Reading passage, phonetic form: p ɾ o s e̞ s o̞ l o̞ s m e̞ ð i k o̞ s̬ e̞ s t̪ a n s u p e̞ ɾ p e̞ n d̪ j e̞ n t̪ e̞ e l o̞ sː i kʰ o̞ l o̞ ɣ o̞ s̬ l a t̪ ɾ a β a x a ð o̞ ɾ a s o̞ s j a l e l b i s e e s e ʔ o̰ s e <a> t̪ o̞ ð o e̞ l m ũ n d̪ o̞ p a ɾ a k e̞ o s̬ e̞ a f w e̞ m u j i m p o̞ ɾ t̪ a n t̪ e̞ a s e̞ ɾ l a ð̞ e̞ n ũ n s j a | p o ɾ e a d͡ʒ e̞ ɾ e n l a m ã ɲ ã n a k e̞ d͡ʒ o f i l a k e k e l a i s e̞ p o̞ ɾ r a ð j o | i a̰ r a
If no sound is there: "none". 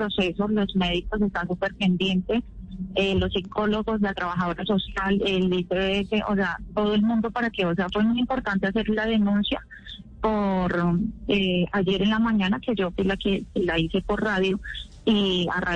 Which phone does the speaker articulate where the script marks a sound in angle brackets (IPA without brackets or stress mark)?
a